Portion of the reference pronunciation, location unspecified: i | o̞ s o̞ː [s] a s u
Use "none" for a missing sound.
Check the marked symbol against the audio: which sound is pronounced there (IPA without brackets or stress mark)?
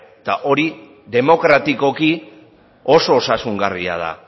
s